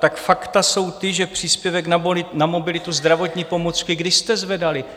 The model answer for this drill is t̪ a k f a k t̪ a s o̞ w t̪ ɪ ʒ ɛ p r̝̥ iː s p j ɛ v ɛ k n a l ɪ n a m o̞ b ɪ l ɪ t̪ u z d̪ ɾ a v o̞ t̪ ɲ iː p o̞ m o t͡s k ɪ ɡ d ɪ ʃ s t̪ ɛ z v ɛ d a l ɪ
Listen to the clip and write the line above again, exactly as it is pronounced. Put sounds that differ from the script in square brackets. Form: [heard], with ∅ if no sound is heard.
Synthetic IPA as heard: t̪ a k f a k t̪ a s o̞ w t̪ ɪ ʒ ɛ p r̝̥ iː s p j ɛ v ɛ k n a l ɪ n a m o̞ b ɪ l ɪ t̪ u z d̪ ɾ a v o̞ t̪ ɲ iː p o̞ m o t͡s k ɪ ɡ d ɪ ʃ s t̪ ɛ z v ɛ d a l ɪ